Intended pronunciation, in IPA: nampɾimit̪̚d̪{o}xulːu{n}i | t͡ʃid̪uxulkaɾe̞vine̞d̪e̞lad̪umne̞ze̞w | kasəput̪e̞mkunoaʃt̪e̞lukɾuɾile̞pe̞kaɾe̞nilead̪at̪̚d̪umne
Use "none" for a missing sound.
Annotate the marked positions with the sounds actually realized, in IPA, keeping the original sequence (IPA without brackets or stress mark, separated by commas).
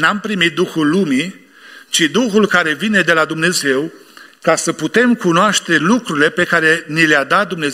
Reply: u, m